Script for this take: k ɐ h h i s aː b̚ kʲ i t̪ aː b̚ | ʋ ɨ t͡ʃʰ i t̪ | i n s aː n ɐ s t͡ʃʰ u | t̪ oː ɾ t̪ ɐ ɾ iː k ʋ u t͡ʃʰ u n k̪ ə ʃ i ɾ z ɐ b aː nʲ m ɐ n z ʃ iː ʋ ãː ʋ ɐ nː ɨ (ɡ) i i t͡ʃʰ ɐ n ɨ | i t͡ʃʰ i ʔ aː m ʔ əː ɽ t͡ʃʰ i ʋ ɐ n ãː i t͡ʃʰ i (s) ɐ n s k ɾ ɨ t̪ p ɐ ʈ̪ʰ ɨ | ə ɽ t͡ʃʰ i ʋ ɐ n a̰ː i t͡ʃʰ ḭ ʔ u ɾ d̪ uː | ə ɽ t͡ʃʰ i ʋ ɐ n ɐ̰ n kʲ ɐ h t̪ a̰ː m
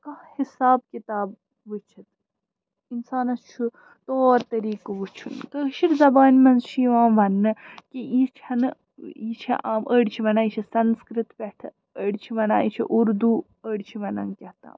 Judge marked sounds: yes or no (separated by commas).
no, yes